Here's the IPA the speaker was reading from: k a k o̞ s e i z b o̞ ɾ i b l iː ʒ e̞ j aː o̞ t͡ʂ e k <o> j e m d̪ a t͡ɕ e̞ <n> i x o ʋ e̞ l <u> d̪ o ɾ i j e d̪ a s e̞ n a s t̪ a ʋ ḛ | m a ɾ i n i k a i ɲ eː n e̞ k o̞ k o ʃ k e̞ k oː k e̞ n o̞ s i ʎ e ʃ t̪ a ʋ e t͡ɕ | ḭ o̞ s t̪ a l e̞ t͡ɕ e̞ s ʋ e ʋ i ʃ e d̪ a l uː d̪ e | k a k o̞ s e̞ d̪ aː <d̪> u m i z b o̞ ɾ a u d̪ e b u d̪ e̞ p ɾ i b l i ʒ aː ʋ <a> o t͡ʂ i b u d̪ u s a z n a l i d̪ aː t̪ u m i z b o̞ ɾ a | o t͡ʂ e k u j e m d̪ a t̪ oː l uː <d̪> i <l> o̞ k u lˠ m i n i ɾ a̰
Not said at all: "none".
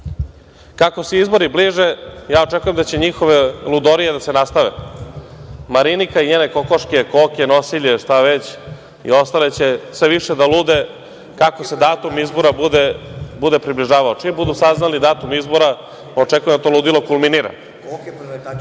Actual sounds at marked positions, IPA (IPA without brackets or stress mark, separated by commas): u, ɲ, u, t̪, a, d̪, l